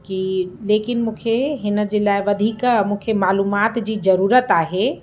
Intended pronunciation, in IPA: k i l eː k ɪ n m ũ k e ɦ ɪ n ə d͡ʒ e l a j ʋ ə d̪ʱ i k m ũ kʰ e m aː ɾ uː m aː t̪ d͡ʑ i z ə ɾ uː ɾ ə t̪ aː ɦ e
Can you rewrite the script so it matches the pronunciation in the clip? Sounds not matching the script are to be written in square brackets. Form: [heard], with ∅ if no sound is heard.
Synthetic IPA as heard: k i l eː k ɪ n m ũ [kʰ] e ɦ ɪ n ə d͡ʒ e l a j ʋ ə d̪ʱ i k m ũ kʰ e m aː [l] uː m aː t̪ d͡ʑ i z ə ɾ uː ɾ ə t̪ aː ɦ e